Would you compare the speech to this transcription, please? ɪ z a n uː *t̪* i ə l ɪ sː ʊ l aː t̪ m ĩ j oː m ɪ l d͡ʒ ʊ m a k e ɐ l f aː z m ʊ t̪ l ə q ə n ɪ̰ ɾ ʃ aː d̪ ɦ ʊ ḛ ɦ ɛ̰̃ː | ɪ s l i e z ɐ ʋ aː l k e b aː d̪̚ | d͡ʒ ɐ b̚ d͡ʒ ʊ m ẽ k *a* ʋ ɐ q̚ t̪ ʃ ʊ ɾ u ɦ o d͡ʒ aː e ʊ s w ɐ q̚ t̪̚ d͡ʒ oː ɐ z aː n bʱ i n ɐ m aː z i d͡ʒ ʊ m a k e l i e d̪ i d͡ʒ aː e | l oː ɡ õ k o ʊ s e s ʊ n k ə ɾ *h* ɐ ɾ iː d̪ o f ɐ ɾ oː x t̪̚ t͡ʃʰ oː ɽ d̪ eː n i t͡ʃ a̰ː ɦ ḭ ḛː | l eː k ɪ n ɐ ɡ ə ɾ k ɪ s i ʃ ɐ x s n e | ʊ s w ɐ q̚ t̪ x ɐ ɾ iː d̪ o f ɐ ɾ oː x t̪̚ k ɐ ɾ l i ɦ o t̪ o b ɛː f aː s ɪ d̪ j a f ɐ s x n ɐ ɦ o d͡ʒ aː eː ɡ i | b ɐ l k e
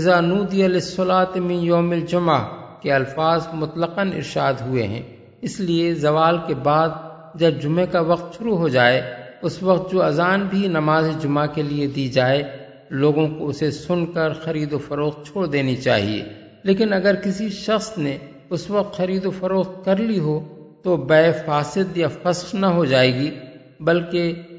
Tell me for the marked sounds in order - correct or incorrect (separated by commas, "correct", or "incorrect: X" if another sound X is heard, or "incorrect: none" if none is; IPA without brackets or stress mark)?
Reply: incorrect: d̪, correct, incorrect: x